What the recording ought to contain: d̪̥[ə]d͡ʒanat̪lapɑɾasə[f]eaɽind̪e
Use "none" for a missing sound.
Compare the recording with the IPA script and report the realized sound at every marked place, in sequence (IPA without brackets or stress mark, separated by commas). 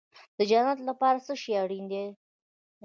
ə, ʃ